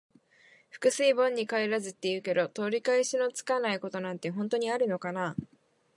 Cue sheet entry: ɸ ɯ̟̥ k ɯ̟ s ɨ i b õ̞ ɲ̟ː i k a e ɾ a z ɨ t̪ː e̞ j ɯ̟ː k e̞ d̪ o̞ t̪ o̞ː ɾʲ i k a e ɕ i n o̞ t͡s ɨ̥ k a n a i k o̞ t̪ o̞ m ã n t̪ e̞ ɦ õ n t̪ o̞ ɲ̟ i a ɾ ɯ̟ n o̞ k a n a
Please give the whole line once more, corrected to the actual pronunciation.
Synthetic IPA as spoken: ɸ ɯ̟̥ k ɯ̟ s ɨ i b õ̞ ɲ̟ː i k a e ɾ a z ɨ t̪ː e̞ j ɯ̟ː k e̞ d̪ o̞ t̪ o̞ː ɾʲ i k a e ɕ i n o̞ t͡s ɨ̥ k a n a i k o̞ t̪ o̞ n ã n t̪ e̞ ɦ õ n t̪ o̞ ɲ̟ i a ɾ ɯ̟ n o̞ k a n a

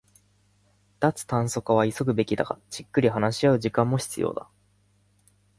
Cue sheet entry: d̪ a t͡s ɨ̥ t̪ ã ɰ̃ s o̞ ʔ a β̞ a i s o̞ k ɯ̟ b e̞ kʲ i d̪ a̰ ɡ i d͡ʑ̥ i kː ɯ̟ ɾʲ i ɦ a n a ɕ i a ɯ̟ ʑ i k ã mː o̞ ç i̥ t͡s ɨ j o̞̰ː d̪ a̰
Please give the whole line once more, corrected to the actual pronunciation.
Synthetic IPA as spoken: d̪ a t͡s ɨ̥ t̪ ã ɰ̃ s o̞ k a β̞ a i s o̞ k ɯ̟ b e̞ kʲ i d̪ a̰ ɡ a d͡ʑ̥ i kː ɯ̟ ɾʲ i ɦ a n a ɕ i a ɯ̟ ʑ i k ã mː o̞ ç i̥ t͡s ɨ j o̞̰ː d̪ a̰

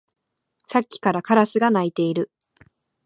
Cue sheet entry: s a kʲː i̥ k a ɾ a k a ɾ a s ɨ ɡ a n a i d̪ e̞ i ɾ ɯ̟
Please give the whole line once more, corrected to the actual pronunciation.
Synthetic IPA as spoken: s a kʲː i̥ k a ɾ a k a ɾ a s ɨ ɡ a n a i t̪ e̞ i ɾ ɯ̟

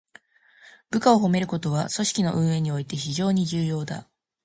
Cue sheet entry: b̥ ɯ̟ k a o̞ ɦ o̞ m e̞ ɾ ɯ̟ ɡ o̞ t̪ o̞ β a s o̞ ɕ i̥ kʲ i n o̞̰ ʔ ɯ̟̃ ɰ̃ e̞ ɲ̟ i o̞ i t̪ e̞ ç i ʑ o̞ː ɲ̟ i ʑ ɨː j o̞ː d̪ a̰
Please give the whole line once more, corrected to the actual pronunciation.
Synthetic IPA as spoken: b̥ ɯ̟ k a o̞ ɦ o̞ m e̞ ɾ ɯ̟ k o̞ t̪ o̞ β a s o̞ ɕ i̥ kʲ i n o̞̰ ʔ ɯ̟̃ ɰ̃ e̞ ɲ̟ i o̞ i t̪ e̞ ç i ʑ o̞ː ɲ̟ i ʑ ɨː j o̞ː d̪ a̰

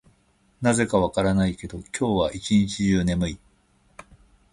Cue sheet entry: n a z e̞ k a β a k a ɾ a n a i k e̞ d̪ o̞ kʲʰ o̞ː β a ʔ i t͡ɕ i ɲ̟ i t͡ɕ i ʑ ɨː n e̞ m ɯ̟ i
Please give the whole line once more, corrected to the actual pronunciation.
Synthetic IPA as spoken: n a z e̞ k a β a k a ɾ a n a i k e̞ d̪ o̞ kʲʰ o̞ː β a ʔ i t͡ɕ i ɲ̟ i t͡ɕ i ʑ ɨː n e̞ m ɯ̟ i

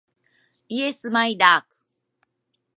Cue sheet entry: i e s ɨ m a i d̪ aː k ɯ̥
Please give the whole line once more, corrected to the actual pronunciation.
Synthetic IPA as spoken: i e s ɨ m a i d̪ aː k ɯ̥

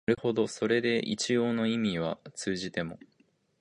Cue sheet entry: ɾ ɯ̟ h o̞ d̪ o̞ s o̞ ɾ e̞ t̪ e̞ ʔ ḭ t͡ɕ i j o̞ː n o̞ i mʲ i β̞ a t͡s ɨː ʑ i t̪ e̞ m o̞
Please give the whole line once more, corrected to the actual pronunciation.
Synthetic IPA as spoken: ɾ ɯ̟ h o̞ d̪ o̞ s o̞ ɾ e̞ d̪ e̞ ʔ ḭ t͡ɕ i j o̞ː n o̞ i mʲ i β̞ a t͡s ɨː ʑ i t̪ e̞ m o̞

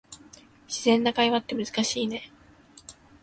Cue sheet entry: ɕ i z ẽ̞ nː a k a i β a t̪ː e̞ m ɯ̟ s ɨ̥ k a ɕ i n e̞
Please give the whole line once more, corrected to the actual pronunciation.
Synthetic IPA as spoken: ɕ i z ẽ̞ nː a k a i β a t̪ː e̞ m ɯ̟ z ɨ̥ k a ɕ iː n e̞

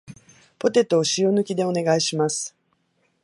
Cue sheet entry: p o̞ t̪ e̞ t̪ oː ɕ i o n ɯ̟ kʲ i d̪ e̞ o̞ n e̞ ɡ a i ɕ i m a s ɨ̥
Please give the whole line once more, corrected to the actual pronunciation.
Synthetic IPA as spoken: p o̞ t̪ e̞ t̪ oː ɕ i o n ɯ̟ kʲ i d̪ e̞ o̞ n e̞ ɡ a i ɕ i m a s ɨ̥

